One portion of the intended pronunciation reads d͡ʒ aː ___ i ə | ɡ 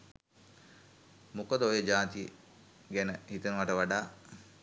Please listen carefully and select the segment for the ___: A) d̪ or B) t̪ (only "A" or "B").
B